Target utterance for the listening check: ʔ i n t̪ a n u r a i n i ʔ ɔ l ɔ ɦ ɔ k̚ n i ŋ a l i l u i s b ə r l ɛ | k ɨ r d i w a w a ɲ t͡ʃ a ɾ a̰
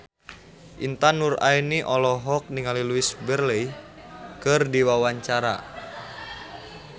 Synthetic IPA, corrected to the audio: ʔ i n t̪ a n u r a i n i ʔ ɔ l ɔ ɦ ɔ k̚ n i ŋ a l i l u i s b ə r l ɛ | k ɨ r d i w a w a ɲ t͡ʃ a ɾ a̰